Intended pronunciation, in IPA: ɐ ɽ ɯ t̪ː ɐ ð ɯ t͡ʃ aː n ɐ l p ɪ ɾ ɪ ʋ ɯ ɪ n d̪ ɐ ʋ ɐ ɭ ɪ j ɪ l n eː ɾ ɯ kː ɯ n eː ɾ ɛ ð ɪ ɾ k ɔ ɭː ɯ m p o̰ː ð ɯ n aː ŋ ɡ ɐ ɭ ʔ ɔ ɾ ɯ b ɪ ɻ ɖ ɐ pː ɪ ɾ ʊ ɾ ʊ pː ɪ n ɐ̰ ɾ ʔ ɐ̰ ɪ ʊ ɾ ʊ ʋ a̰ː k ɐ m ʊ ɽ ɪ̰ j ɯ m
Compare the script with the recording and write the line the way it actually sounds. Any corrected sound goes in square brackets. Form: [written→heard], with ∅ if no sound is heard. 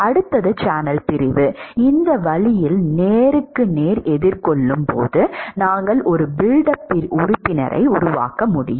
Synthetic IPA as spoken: ɐ ɽ ɯ t̪ː ɐ ð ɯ t͡ʃ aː n ɐ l p ɪ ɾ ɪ ʋ ɯ ɪ n d̪ ɐ ʋ ɐ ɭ ɪ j ɪ l n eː ɾ ɯ kː ɯ n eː ɾ ɛ ð ɪ ɾ k ɔ ɭː ɯ m p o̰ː ð ɯ n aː ŋ ɡ ɐ ɭ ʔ ɔ ɾ ɯ b ɪ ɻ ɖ ɐ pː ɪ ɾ ʊ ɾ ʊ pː ɪ n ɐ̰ ɾ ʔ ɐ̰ ɪ ʊ ɾ ʊ ʋ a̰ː k ɐ m ʊ ɽ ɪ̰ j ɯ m